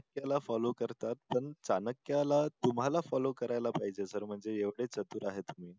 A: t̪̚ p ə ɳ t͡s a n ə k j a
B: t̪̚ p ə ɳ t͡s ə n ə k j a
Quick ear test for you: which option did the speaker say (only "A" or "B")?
A